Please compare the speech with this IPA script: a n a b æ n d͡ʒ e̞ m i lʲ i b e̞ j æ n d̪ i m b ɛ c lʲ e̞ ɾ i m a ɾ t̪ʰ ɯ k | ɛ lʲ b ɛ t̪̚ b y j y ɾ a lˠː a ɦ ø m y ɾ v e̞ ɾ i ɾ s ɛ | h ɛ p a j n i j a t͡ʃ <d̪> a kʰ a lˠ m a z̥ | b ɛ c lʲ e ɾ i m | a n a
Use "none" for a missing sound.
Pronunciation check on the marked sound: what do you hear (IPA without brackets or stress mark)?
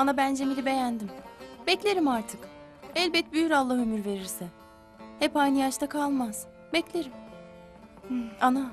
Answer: t̪